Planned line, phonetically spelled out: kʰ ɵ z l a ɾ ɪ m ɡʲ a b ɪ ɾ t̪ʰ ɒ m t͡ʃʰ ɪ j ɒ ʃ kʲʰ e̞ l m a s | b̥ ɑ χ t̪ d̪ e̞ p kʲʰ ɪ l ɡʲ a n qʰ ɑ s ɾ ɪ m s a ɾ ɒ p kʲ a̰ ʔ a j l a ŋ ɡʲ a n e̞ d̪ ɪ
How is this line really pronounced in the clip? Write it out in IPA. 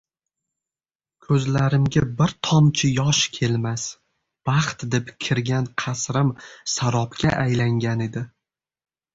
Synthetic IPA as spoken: kʰ ɵ z l a ɾ ɪ m ɡʲ a b ɪ ɾ t̪ʰ ɒ m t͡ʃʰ ɪ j ɒ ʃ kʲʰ e̞ l m a s | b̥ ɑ χ t̪ d̪ e̞ p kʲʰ ɪ ɾ ɡʲ a n qʰ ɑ s ɾ ɪ m s a ɾ ɒ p kʲ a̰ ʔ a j l a ŋ ɡʲ a n e̞ d̪ ɪ